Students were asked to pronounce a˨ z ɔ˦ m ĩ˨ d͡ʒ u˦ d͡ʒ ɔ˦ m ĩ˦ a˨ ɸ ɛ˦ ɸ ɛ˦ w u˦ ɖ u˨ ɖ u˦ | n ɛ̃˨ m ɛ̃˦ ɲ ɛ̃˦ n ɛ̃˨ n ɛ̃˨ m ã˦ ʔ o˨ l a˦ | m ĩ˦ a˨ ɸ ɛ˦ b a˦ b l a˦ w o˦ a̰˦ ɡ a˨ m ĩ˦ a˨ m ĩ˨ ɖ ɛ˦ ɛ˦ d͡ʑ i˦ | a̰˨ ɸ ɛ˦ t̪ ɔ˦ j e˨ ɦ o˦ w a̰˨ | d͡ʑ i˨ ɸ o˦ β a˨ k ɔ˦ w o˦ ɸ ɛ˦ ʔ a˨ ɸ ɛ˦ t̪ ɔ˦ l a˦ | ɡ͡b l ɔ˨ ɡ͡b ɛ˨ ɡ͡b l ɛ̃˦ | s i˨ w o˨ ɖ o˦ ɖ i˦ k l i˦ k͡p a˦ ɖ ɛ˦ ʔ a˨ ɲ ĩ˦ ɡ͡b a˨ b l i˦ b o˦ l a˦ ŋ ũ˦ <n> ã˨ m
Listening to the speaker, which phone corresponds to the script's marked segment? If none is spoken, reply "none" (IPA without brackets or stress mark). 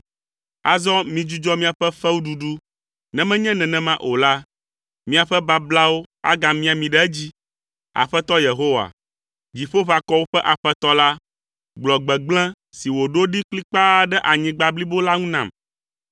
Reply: n